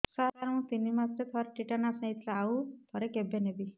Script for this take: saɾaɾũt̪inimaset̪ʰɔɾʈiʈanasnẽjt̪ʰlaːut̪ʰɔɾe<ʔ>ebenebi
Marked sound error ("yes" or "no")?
yes